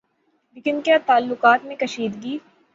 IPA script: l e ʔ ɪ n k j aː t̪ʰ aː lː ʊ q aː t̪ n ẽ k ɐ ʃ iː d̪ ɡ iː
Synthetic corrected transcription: l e k ɪ n k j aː t̪ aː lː ʊ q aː t̪ m ẽ k ɐ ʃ iː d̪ ɡ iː